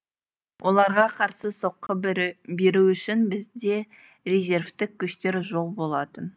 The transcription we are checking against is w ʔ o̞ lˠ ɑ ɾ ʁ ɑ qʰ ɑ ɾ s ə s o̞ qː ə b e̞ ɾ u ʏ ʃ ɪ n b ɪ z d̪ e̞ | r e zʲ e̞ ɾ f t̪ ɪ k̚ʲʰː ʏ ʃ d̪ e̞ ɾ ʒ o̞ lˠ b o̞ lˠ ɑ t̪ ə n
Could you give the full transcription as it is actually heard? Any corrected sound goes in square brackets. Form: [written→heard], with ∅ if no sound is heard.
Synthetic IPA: w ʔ o̞ lˠ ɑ ɾ ʁ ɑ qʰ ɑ ɾ s ə s o̞ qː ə b e̞ ɾ u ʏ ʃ ɪ n b ɪ z d̪ e̞ | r e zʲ e̞ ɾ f t̪ ɪ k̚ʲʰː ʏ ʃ [d̪→t̪] e̞ ɾ ʒ o̞ lˠ b o̞ lˠ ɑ t̪ ə n